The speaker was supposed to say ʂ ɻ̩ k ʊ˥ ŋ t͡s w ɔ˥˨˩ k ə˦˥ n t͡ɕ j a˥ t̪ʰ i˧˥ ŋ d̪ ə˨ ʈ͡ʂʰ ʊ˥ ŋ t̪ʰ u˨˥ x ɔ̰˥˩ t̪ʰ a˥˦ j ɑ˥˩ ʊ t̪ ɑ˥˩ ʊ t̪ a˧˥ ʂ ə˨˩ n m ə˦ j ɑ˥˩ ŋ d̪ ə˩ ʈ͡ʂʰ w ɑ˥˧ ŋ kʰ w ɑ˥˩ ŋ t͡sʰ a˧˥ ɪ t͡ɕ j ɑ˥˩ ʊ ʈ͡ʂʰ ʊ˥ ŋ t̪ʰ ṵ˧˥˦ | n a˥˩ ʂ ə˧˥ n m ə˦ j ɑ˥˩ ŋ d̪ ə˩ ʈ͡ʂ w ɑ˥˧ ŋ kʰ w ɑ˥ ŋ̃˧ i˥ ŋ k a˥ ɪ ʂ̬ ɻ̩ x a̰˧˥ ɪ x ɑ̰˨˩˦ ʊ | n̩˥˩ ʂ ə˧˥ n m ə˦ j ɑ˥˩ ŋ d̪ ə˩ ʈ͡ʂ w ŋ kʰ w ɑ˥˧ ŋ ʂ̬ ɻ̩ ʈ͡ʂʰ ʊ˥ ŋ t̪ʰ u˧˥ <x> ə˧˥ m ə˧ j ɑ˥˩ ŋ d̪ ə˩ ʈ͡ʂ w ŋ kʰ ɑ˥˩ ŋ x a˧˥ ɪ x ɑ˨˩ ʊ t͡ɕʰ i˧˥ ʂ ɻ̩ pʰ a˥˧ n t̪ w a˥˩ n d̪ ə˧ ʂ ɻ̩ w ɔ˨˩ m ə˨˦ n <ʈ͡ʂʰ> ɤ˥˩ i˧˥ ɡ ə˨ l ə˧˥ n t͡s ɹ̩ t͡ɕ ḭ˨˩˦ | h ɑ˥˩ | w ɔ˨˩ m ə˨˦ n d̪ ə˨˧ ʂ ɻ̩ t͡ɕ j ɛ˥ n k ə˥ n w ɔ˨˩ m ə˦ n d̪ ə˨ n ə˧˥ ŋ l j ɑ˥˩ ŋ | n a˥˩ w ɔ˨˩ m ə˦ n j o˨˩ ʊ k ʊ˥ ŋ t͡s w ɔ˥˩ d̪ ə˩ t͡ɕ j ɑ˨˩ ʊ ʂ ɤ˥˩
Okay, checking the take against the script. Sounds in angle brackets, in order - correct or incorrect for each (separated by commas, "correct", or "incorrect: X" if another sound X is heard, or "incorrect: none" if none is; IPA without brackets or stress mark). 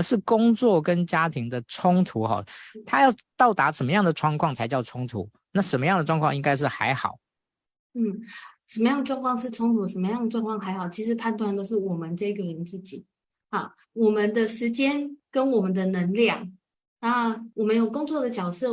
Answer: incorrect: ʂ, incorrect: ʈ͡ʂ